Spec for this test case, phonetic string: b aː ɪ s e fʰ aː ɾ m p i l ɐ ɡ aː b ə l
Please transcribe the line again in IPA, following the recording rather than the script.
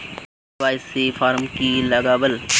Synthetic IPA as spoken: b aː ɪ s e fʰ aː ɾ m k i l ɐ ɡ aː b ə l